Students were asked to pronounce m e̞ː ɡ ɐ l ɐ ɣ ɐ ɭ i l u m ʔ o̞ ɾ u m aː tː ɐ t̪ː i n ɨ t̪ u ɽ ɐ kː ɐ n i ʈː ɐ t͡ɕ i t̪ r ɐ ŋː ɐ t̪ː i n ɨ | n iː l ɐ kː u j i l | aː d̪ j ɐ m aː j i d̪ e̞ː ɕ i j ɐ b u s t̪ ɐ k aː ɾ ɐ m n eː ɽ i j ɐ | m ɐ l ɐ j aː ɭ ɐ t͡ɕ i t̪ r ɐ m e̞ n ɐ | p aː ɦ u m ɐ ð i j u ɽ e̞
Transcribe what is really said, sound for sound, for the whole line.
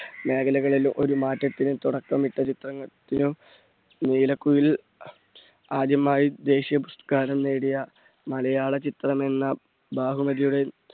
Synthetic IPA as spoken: m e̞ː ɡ ɐ l ɐ ɣ ɐ ɭ i l u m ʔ o̞ ɾ u m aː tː ɐ t̪ː i n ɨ t̪ u ɽ ɐ kː ɐ m i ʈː ɐ t͡ɕ i t̪ r ɐ ŋː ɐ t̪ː i n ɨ | n iː l ɐ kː u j i l | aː d̪ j ɐ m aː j i d̪ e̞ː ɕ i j ɐ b u s t̪ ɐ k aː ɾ ɐ m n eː ɽ i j ɐ | m ɐ l ɐ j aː ɭ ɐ t͡ɕ i t̪ r ɐ m e̞ nː ɐ | b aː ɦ u m ɐ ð i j u ɽ e̞

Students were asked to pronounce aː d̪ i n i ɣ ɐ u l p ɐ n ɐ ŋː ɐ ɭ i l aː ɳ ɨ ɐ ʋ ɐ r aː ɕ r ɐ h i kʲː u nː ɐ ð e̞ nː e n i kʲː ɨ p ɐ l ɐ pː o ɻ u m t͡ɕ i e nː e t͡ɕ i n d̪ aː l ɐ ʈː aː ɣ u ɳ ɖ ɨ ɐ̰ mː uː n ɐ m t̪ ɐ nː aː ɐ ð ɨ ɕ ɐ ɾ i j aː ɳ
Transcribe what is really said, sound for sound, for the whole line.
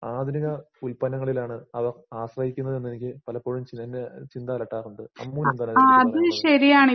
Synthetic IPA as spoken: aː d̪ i n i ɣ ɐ u l p ɐ n ɐ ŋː ɐ ɭ i l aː ɳ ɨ ɐ ʋ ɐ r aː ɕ r ɐ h i kʲː u nː ɐ ð e̞ nː e n i kʲː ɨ p ɐ l ɐ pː o ɻ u m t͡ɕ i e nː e t͡ɕ i n d̪ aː l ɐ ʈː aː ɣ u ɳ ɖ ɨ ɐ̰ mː uː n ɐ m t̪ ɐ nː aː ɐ ð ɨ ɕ ɐ ɾ i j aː ɳ

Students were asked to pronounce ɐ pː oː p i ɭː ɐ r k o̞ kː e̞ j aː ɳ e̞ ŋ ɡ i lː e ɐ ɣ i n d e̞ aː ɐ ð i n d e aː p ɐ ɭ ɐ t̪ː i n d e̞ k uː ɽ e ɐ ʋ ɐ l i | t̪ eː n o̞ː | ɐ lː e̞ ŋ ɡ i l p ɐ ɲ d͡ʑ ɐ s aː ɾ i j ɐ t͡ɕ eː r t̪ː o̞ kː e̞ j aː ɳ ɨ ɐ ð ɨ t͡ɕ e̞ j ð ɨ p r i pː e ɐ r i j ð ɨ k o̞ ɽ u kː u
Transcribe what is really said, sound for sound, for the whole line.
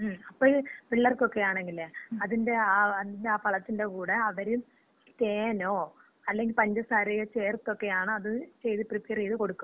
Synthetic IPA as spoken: ɐ pː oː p i ɭː ɐ r k o̞ kː e̞ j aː ɳ e̞ ŋ ɡ i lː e ɐ ð i n d e̞ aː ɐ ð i n d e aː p ɐ ɭ ɐ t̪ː i n d e̞ k uː ɽ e ɐ ʋ ɐ ɾ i | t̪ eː n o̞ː | ɐ lː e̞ ŋ ɡ i l p ɐ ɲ d͡ʑ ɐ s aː ɾ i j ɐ t͡ɕ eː r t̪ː o̞ kː e̞ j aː ɳ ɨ ɐ ð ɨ t͡ɕ e̞ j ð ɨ p r i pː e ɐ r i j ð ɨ k o̞ ɽ u kː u

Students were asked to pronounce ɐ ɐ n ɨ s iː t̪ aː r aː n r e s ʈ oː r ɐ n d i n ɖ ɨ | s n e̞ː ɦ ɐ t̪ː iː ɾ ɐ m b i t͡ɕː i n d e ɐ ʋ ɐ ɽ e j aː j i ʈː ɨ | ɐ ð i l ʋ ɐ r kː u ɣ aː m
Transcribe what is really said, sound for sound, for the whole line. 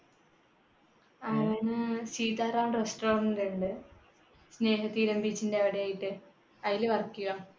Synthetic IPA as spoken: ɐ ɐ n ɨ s iː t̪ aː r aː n r e s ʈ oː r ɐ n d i ɳ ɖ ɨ | s n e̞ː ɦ ɐ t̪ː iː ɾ ɐ m b i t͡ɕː i n d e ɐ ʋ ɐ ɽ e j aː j i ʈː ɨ | ɐ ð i l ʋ ɐ r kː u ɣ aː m

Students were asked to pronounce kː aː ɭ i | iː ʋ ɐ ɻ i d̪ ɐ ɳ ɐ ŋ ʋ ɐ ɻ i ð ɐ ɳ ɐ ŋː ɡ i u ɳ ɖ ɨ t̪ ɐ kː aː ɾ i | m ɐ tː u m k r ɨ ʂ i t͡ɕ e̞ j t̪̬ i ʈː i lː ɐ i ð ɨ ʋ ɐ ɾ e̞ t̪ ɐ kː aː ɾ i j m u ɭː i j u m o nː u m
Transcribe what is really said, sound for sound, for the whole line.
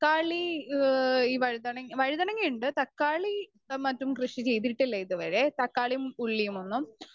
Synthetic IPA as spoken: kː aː ɭ i | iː ʋ ɐ ɻ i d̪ ɐ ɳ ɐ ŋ ʋ ɐ ɻ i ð ɐ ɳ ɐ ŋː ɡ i u ɳ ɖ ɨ t̪ ɐ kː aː ɭ i | m ɐ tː u m k r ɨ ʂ i t͡ɕ e̞ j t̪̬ i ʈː i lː ɐ i ð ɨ ʋ ɐ ɾ e̞ t̪ ɐ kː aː ɭ i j m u ɭː i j u m o nː u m

